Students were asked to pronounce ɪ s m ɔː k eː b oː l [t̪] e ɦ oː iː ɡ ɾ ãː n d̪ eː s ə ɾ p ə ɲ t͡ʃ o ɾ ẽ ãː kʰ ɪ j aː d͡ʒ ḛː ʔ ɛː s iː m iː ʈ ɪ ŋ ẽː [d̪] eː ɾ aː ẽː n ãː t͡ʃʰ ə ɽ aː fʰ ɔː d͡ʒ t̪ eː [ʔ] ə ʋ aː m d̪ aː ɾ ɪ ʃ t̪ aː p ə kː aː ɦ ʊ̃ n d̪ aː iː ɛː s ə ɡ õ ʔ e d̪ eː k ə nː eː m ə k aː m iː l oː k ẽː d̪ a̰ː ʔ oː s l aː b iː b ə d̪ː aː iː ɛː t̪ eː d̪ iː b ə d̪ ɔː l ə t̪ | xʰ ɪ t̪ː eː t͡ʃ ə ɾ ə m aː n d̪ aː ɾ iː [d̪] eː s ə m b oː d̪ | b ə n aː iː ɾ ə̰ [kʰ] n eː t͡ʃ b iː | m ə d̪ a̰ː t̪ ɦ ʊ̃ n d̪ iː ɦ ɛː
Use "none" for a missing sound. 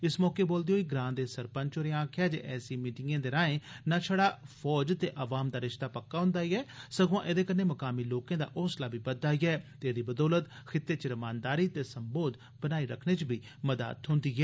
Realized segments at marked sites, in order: d̪, d̪, ʔ, t̪, kʰ

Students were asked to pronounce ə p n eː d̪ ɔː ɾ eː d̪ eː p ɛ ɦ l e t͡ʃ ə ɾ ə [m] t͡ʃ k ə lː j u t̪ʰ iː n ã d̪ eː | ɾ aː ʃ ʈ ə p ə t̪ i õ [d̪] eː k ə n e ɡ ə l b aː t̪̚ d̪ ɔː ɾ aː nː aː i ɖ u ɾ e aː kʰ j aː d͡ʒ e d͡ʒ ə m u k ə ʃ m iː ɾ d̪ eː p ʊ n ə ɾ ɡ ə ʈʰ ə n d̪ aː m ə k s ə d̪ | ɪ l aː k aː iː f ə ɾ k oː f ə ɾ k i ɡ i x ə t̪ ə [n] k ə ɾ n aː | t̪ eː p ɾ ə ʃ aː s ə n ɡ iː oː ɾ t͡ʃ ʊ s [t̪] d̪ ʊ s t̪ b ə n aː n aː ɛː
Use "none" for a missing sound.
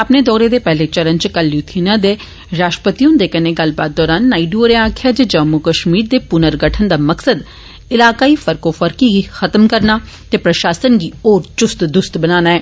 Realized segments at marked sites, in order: n, d̪, m, t̪

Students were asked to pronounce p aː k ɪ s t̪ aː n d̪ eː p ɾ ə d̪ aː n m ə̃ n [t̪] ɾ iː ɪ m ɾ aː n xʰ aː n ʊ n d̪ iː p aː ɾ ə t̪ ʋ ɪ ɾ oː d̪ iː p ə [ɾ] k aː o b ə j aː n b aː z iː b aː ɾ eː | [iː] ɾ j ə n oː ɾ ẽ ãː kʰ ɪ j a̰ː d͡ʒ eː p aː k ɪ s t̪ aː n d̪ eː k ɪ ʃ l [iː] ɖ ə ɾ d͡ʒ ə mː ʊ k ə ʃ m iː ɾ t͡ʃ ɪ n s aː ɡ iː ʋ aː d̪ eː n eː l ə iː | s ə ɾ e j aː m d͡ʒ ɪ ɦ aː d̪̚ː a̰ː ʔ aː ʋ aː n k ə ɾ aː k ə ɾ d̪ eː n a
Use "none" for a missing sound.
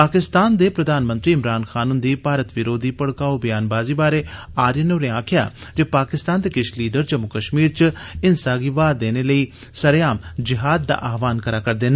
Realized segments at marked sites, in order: t̪, ɽ, aː, iː

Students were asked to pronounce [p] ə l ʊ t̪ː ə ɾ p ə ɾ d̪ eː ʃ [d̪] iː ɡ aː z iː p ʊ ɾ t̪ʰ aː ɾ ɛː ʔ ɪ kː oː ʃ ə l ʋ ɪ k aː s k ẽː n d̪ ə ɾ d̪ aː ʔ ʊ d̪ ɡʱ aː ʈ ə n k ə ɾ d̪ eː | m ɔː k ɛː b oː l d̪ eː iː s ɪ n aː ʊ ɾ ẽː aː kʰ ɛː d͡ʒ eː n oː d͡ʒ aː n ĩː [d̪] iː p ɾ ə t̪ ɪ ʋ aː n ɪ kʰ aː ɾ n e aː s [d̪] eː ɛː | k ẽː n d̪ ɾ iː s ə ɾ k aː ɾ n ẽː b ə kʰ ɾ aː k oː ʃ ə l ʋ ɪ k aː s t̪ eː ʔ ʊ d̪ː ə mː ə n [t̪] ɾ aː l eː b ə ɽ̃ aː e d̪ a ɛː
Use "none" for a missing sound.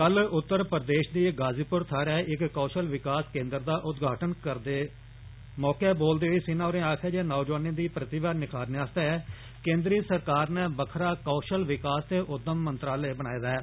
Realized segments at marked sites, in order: k, d̪, d̪, t̪, t̪

